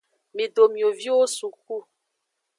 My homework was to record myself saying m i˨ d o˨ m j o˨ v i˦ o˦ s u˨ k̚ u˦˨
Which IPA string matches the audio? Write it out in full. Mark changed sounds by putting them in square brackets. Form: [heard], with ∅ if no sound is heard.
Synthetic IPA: m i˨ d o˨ m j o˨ v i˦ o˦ s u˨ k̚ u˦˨